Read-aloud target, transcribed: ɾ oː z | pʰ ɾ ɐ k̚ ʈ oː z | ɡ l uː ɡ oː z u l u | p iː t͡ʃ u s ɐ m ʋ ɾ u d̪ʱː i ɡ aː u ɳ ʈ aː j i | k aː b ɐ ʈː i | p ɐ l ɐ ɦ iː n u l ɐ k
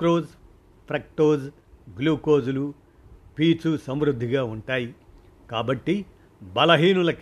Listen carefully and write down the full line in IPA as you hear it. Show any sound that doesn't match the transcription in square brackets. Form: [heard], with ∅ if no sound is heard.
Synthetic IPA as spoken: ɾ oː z | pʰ ɾ ɐ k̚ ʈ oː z | ɡ l uː [k] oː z u l u | p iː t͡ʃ u s ɐ m ʋ ɾ u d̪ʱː i ɡ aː u ɳ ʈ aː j i | k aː b ɐ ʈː i | [b] ɐ l ɐ ɦ iː n u l ɐ k